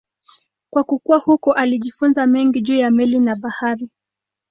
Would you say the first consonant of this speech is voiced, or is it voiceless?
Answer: voiceless